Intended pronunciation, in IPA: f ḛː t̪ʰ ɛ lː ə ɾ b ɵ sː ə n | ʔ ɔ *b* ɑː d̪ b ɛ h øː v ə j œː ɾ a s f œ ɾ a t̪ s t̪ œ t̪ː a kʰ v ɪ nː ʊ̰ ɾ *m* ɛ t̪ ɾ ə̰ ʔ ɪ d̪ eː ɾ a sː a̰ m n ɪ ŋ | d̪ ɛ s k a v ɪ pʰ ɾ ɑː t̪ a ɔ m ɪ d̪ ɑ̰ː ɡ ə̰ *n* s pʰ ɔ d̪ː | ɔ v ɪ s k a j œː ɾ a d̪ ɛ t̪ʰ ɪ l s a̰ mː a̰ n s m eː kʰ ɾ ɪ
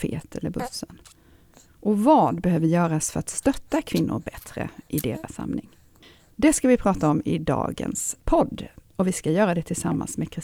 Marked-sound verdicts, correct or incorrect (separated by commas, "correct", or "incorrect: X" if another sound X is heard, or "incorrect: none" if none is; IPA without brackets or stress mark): incorrect: v, incorrect: b, correct